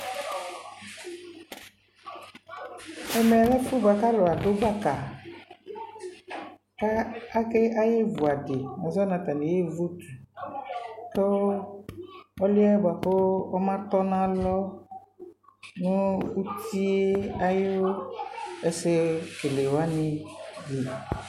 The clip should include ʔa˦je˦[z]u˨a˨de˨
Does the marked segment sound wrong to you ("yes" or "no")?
yes